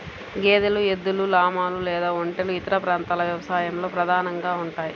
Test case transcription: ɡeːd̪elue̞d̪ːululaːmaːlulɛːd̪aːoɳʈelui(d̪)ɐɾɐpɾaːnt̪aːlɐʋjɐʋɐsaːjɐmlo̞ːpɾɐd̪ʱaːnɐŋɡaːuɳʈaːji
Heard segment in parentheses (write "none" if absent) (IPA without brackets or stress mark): t̪